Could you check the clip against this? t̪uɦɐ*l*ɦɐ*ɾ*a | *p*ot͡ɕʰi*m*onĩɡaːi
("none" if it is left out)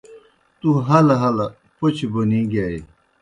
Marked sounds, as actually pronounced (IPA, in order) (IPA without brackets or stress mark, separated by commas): l, l, p, b